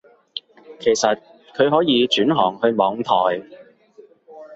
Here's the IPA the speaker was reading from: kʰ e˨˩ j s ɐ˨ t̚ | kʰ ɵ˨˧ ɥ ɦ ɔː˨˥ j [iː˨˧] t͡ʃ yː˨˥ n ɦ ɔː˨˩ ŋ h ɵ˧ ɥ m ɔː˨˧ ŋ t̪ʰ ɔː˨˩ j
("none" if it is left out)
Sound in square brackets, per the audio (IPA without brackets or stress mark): iː˨˧